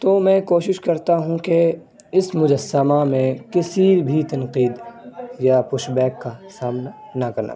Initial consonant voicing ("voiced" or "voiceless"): voiceless